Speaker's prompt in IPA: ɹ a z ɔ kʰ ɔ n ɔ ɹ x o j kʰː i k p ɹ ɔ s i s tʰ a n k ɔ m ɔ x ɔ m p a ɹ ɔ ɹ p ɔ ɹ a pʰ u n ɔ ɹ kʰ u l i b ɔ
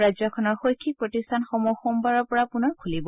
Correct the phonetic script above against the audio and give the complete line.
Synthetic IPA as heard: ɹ a z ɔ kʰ ɔ n ɔ ɹ x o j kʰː i k p ɹ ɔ t i s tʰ a n x ɔ m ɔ x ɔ m b a ɹ ɔ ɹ p ɔ ɹ a p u n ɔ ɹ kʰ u l i b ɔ